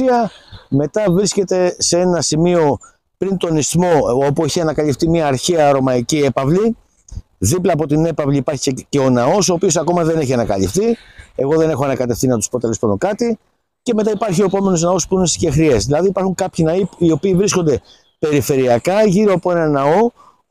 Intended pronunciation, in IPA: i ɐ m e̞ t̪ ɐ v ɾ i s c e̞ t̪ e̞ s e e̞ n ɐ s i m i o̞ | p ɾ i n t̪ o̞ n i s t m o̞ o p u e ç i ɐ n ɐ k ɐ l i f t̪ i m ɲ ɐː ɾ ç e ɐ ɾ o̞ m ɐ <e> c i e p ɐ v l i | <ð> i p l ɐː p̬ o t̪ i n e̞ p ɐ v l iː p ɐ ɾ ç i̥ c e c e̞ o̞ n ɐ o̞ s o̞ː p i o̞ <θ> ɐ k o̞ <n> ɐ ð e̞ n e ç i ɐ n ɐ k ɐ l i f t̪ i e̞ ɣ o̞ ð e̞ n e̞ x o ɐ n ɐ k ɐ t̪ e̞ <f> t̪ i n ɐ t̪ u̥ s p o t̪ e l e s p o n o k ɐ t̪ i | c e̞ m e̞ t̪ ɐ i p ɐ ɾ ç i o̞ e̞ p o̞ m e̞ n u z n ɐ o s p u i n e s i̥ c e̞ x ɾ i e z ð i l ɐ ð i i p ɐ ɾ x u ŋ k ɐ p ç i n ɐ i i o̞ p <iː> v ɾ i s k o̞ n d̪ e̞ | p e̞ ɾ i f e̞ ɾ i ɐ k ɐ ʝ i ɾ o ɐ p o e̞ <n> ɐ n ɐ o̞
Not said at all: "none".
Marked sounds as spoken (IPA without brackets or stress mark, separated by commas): i, ð, s, m, f, iː, n